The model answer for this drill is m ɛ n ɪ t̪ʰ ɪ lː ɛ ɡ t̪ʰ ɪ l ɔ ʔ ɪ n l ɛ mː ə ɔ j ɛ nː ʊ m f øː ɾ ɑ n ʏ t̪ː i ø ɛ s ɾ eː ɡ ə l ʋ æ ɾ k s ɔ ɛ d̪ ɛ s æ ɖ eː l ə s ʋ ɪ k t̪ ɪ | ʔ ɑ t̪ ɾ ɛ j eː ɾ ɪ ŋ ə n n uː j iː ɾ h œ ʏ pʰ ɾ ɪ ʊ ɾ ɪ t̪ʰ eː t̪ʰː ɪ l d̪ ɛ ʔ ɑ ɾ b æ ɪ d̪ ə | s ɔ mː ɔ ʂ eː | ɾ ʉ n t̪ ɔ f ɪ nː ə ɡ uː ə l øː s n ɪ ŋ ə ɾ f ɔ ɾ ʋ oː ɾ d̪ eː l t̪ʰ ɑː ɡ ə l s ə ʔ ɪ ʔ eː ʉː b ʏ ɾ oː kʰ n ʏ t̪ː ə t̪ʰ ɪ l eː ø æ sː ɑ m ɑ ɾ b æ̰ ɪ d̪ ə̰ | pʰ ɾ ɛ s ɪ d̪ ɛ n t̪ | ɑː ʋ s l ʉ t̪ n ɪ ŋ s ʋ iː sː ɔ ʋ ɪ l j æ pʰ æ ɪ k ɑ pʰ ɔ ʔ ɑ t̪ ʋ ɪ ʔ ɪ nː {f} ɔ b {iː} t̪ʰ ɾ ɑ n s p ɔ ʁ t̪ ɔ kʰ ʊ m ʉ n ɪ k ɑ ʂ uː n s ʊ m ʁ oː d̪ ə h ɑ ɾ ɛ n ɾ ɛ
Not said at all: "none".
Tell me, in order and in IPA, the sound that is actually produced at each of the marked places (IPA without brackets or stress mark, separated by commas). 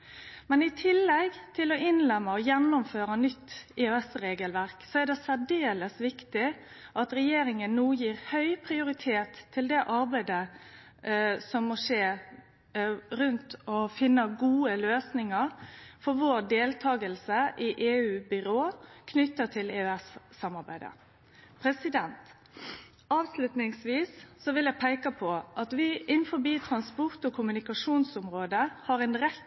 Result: f, iː